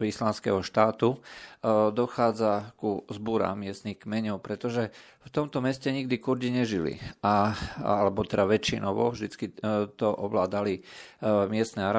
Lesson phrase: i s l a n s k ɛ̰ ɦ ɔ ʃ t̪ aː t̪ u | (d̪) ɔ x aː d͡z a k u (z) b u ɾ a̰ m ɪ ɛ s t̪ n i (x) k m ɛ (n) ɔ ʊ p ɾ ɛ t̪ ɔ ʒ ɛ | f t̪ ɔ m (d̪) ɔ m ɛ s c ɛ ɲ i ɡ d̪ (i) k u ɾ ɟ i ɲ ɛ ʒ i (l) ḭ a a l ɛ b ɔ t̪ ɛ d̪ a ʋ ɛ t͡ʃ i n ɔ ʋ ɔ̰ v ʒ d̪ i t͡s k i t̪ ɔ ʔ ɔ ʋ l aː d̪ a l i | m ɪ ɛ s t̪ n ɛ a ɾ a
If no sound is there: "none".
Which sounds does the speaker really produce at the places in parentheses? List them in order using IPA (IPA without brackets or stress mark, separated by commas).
d̪, z, x, ɲ, t̪, i, l